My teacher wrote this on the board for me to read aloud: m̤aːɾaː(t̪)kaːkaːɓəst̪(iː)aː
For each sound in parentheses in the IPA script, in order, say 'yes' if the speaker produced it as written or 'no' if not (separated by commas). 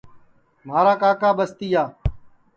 no, yes